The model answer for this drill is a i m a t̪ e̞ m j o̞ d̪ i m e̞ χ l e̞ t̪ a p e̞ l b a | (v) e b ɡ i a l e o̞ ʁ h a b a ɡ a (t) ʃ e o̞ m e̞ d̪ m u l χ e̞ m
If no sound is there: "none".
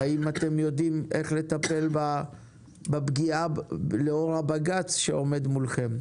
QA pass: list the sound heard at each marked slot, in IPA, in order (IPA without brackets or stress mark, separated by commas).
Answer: b, t͡s